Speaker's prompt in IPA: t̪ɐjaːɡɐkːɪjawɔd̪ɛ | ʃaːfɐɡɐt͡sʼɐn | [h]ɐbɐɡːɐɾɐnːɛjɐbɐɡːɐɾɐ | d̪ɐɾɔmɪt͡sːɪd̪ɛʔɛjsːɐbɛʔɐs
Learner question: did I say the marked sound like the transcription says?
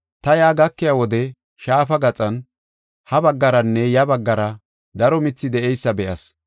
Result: yes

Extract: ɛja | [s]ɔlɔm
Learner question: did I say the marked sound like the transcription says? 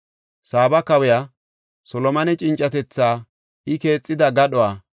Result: yes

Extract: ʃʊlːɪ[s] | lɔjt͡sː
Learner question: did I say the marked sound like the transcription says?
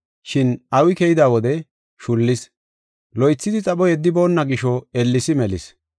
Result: yes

